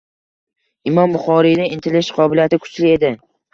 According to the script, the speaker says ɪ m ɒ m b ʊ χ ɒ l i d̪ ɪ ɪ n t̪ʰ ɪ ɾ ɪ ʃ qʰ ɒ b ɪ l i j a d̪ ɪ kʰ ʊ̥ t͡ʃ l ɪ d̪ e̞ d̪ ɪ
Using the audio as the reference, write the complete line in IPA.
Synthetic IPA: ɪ m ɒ m b ʊ χ ɒ ɾ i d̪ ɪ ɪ n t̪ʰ ɪ l ɪ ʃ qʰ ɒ b ɪ l i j a t̪ ɪ kʰ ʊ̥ t͡ʃ l ɪ e̞ d̪ ɪ